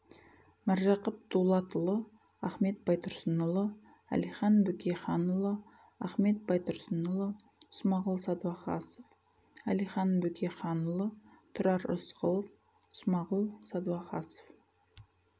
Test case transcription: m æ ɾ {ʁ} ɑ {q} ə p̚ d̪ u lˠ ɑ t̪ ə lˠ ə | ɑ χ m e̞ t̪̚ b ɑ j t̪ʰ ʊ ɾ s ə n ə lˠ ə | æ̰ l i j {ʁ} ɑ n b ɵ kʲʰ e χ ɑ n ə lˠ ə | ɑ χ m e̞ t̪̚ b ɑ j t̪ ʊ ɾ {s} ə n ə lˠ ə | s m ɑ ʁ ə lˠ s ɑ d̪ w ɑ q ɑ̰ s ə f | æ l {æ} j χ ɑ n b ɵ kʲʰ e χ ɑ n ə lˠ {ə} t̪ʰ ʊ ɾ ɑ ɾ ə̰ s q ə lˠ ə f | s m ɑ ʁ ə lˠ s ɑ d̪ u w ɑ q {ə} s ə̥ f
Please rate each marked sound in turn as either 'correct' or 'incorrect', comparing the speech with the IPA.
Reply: incorrect, correct, incorrect, correct, incorrect, correct, incorrect

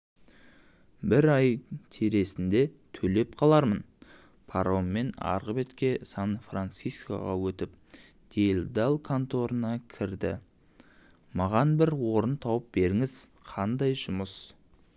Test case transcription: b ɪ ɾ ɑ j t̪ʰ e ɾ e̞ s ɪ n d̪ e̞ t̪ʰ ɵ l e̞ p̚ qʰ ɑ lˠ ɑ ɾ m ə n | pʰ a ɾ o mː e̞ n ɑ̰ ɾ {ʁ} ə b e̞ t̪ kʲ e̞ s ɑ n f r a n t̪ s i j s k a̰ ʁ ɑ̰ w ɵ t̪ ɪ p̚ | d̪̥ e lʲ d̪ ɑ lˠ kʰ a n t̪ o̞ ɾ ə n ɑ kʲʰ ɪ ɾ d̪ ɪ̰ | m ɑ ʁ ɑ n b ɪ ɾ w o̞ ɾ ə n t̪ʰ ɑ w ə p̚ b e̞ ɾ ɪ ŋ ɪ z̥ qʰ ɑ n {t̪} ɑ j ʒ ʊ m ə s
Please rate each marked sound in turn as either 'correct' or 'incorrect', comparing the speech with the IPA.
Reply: correct, incorrect

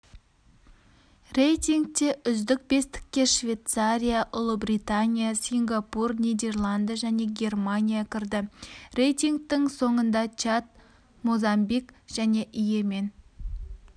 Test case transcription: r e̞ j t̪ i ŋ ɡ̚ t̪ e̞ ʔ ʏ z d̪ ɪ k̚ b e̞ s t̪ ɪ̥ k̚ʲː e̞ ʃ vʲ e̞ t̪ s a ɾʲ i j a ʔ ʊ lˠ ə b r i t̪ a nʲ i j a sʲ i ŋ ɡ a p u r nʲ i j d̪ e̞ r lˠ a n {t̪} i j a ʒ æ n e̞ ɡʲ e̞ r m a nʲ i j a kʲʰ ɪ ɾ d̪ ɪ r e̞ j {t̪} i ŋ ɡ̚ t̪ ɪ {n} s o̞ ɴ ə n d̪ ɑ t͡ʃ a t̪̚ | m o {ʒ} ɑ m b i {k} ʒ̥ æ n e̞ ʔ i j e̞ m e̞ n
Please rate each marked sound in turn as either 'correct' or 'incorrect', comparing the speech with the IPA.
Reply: incorrect, correct, incorrect, incorrect, correct

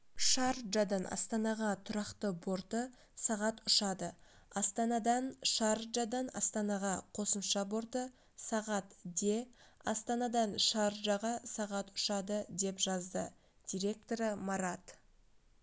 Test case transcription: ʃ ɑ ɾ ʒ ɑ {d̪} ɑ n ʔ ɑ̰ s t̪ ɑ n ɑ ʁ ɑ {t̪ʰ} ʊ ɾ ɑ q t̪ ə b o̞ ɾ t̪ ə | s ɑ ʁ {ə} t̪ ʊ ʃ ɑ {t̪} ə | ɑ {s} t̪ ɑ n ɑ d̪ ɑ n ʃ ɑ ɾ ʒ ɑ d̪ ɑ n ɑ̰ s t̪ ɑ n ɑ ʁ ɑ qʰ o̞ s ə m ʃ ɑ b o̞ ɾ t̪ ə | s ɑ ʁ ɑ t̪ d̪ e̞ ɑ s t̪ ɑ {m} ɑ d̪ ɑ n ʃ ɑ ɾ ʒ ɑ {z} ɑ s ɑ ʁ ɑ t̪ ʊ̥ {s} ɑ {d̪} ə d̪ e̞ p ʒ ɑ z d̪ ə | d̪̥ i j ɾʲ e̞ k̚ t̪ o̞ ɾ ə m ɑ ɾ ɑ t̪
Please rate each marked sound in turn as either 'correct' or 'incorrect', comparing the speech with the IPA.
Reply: correct, correct, incorrect, incorrect, correct, incorrect, incorrect, incorrect, correct

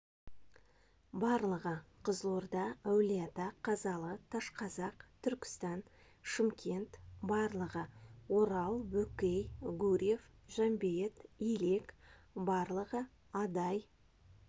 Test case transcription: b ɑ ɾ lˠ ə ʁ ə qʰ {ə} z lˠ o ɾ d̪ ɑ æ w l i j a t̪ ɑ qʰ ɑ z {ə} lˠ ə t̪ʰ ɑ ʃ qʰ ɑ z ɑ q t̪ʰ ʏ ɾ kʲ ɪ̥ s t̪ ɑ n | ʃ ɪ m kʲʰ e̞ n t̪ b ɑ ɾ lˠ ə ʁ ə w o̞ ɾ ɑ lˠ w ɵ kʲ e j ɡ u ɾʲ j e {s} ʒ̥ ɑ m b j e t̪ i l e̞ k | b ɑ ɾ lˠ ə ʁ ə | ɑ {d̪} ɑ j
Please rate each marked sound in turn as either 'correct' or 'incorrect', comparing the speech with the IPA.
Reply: correct, incorrect, incorrect, correct

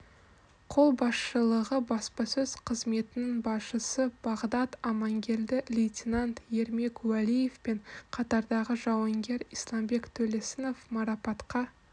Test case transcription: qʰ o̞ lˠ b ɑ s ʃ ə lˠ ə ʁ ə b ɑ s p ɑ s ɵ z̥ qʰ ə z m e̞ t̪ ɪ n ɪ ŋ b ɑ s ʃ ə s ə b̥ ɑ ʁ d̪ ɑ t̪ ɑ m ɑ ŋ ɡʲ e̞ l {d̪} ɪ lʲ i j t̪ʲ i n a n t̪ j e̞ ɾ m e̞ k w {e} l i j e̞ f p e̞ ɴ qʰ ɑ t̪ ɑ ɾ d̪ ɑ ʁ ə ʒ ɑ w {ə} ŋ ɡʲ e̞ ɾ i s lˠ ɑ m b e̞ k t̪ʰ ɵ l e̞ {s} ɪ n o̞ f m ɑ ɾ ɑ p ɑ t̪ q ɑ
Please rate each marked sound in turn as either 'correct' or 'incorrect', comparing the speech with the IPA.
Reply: correct, incorrect, incorrect, correct

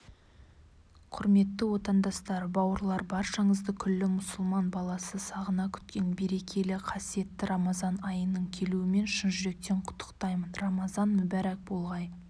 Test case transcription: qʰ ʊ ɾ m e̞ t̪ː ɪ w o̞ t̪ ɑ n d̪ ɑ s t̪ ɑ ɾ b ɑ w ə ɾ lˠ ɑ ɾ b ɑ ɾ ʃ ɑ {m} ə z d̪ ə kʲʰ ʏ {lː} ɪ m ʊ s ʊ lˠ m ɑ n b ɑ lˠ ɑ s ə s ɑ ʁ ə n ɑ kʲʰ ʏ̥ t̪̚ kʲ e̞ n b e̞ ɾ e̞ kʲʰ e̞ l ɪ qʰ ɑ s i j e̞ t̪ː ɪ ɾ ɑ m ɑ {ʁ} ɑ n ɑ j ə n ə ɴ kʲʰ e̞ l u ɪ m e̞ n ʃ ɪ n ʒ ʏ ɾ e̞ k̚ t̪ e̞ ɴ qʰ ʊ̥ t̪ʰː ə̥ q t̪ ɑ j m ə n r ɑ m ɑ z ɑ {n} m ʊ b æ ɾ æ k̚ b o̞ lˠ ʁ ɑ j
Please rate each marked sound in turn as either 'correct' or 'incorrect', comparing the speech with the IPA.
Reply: incorrect, correct, incorrect, correct

